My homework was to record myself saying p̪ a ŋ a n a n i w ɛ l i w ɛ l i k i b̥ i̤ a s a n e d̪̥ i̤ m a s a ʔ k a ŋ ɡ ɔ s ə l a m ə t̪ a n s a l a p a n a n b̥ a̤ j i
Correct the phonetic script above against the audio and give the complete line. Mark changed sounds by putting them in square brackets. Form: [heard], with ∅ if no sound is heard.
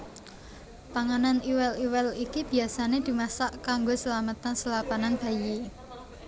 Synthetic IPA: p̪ a ŋ a n a n i w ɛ l i w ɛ l i k i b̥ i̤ a s a n e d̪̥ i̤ m a s a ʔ k a ŋ ɡ [o] s ə l a m ə t̪ a n s [ə] l a p a n a n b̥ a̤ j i